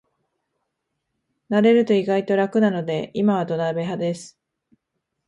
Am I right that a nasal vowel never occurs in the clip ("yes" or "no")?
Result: yes